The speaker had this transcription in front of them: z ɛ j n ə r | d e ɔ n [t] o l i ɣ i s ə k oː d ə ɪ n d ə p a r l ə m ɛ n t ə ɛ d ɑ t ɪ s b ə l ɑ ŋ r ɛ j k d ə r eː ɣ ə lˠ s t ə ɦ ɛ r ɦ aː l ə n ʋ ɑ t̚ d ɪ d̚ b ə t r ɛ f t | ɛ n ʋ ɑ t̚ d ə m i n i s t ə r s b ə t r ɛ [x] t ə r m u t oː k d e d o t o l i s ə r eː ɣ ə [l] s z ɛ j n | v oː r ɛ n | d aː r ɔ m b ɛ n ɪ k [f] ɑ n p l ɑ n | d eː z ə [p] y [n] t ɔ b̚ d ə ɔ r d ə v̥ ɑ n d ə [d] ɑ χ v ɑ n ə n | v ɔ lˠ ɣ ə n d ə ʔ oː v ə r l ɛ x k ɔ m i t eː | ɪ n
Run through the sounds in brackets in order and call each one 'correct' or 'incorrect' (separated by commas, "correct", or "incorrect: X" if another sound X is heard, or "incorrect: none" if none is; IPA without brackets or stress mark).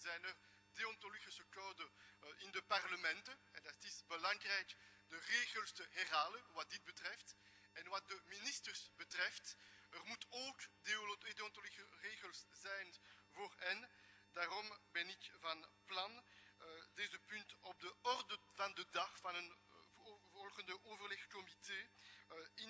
correct, incorrect: f, correct, incorrect: v, correct, correct, correct